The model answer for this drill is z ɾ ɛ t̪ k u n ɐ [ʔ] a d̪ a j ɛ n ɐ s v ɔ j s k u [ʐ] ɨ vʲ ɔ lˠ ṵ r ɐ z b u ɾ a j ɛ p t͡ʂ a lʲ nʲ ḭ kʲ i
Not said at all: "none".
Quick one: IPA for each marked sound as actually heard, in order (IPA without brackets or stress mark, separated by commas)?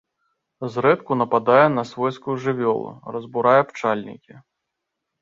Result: p, ʐ